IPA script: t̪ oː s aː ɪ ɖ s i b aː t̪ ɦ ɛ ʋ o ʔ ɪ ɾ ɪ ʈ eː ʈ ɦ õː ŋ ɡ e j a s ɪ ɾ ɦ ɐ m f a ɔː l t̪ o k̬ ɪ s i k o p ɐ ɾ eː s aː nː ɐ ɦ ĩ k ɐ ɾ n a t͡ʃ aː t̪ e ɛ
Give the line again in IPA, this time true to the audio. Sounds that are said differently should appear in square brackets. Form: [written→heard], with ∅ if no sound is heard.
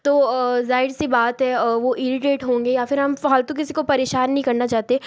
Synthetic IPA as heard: t̪ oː [s→z] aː ɪ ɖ s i b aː t̪ ɦ ɛ ʋ o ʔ ɪ ɾ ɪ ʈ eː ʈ ɦ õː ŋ ɡ e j a [s→f] ɪ ɾ ɦ ɐ m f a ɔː l t̪ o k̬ ɪ s i k o p ɐ ɾ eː [s→ʃ] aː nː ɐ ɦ ĩ k ɐ ɾ n a t͡ʃ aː t̪ e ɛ